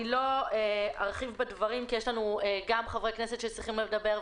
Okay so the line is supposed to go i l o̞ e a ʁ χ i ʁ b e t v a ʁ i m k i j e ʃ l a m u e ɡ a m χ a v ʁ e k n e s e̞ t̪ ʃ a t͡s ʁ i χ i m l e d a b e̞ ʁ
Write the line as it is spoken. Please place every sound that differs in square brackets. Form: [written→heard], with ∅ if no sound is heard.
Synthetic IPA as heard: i l o̞ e a ʁ χ i [ʁ→v] b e [t→d] v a ʁ i m k i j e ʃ l a [m→n] u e ɡ a m χ a v ʁ e k n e s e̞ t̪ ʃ [a→e] t͡s ʁ i χ i m l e d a b e̞ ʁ